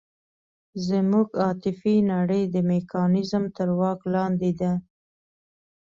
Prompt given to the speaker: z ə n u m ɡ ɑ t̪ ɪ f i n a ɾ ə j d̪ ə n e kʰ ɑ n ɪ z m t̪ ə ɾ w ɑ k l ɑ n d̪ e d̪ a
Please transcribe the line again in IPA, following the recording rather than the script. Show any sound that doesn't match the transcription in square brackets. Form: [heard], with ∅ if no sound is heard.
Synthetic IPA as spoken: z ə [m] u [∅] ɡ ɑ t̪ ɪ f i n a [ɽ] ə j d̪ ə [m] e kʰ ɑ n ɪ z m t̪ ə ɾ w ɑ k l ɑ n d̪ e d̪ a